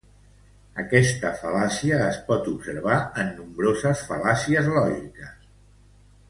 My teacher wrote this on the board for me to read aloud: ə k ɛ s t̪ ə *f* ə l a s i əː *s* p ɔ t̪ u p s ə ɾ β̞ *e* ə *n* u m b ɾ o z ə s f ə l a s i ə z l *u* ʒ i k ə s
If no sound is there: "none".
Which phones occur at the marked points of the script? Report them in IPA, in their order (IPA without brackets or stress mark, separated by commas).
f, s, a, nː, ɔ